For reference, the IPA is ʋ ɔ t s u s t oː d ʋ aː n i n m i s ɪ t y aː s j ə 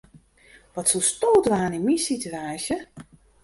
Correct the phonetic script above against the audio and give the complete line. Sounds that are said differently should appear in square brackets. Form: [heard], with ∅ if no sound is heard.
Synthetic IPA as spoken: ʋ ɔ t s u s t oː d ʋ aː n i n m i s [i] t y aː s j ə